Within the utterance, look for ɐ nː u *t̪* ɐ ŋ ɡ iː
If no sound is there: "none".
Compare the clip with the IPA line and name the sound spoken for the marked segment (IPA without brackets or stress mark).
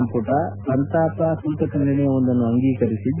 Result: none